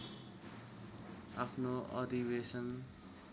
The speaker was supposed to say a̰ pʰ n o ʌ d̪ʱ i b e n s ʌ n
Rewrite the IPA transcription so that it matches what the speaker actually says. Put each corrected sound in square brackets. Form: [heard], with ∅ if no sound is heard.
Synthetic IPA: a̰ pʰ n o ʌ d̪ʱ i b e [∅] s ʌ n